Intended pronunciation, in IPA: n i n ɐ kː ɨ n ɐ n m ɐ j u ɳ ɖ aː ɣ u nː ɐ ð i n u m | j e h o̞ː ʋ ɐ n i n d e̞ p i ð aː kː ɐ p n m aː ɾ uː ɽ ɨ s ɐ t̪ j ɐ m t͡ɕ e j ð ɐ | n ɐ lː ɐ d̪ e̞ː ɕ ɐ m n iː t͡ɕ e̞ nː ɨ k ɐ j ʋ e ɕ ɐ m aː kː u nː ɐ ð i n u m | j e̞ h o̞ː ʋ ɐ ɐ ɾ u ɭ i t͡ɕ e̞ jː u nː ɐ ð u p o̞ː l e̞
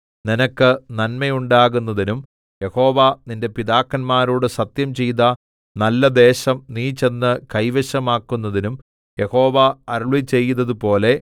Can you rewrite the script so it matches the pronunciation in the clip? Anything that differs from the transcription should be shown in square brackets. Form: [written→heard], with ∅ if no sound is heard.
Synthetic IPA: n i n ɐ kː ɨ n ɐ n m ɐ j u ɳ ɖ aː ɣ u nː ɐ ð i n u m | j e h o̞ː ʋ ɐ n i n d e̞ p i ð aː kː ɐ [p→∅] n m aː ɾ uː ɽ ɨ s ɐ t̪ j ɐ m t͡ɕ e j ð ɐ | n ɐ lː ɐ d̪ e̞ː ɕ ɐ m n iː t͡ɕ e̞ nː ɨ k ɐ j ʋ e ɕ ɐ m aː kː u nː ɐ ð i n u m | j e̞ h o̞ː ʋ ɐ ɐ ɾ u ɭ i t͡ɕ e̞ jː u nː ɐ ð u p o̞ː l e̞